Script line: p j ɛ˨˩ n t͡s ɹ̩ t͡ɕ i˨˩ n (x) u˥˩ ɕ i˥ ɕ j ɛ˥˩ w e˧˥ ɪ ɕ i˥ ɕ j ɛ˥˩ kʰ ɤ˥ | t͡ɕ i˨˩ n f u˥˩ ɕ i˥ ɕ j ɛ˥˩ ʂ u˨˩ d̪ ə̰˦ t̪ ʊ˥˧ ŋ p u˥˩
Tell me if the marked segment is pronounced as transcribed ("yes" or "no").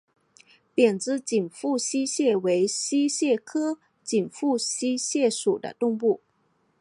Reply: no